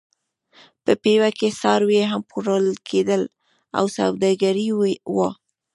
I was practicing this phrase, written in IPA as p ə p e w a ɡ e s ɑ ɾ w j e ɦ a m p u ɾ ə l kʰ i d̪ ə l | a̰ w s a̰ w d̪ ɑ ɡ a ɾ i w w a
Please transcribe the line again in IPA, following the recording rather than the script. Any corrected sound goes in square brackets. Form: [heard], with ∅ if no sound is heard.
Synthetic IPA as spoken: p ə p e w a [k] e s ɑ ɾ w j e ɦ a m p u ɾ ə l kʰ [e] d̪ ə l | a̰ w s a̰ w d̪ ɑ ɡ a ɾ i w w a